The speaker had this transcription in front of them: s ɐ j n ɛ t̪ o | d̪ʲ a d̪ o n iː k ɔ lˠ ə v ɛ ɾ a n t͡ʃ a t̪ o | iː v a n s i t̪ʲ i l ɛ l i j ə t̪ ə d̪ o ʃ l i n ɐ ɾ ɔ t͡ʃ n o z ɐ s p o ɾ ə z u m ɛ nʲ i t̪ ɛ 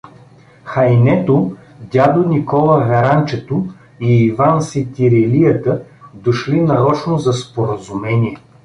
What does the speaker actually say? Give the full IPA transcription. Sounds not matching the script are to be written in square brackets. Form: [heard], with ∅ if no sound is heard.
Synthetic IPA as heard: [x] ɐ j n ɛ t̪ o | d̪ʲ a d̪ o n [i] k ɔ lˠ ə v ɛ ɾ a n t͡ʃ [ɛ] t̪ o | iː v a n s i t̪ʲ i [ɾ] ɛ l i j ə t̪ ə d̪ o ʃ l i n ɐ ɾ ɔ t͡ʃ n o z ɐ s p o ɾ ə z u m ɛ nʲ i [∅] ɛ